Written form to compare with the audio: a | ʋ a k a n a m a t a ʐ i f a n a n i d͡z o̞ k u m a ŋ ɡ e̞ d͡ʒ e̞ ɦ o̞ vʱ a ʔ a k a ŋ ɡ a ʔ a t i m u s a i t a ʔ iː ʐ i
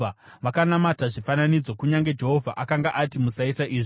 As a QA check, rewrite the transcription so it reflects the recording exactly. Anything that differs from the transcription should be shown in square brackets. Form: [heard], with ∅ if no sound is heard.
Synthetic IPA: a | ʋ a k a n a m a t a ʐ i f a n a n i d͡z o̞ k u [ɲ] a ŋ ɡ e̞ d͡ʒ e̞ ɦ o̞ vʱ a ʔ a k a ŋ ɡ a ʔ a t i m u s a i t a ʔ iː ʐ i